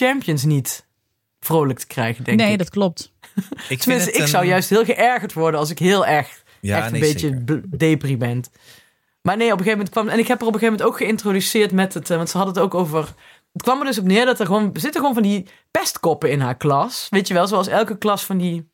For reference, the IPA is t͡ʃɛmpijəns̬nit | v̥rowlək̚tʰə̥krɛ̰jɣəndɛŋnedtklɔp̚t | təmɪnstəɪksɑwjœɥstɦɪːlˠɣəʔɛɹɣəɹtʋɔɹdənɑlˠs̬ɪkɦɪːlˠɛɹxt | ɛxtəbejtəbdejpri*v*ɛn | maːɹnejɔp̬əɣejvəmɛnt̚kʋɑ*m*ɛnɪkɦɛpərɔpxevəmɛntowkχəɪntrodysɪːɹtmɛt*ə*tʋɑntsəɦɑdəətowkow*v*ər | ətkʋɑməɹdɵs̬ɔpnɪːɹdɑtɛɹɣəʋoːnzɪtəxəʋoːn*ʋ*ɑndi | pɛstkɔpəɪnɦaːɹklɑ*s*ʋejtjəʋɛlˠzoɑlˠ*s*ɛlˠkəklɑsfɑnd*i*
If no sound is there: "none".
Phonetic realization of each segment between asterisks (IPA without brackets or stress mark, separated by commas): b, m, ə, v, v, s, s, i